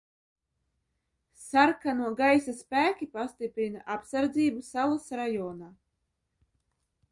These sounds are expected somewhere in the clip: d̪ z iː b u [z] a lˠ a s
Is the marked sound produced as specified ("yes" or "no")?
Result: no